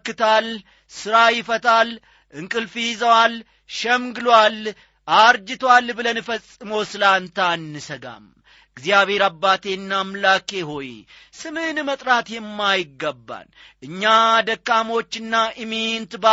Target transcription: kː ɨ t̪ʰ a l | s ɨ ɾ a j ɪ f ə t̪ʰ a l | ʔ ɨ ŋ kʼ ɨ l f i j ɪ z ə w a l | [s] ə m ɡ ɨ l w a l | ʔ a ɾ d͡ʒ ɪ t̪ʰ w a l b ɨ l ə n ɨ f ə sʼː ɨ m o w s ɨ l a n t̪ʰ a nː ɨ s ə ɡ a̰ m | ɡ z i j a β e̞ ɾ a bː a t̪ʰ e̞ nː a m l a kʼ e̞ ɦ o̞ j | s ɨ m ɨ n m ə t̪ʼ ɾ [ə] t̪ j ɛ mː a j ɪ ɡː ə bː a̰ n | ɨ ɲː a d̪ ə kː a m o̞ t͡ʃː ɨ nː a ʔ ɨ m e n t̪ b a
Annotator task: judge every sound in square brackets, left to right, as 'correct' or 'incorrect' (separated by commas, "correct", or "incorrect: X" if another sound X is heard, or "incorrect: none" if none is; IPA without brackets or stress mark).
incorrect: ʃ, incorrect: a